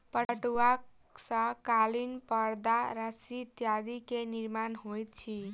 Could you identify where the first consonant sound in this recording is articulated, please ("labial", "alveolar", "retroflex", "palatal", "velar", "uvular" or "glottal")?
labial